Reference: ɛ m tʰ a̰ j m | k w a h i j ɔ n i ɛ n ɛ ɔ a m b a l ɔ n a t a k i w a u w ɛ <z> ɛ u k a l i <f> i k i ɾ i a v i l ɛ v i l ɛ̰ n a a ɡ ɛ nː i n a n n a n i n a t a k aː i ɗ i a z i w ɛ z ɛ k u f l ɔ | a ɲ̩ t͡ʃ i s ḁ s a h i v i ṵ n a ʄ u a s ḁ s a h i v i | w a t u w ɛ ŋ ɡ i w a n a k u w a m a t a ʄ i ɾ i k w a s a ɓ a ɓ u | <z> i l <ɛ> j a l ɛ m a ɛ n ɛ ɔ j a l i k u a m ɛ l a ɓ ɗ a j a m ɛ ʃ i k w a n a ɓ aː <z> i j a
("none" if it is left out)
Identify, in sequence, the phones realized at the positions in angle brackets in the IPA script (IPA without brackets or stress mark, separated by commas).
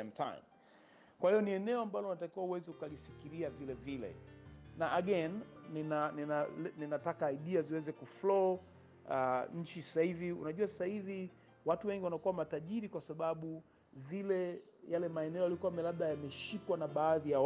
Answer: z, f, v, ɛ, ð